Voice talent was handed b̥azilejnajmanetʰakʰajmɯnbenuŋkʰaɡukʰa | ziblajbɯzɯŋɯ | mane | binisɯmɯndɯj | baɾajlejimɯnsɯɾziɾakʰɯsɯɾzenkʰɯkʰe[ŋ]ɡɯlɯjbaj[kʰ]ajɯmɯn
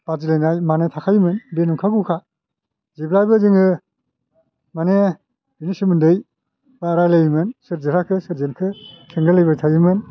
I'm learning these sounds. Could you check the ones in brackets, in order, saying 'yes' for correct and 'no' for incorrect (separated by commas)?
yes, no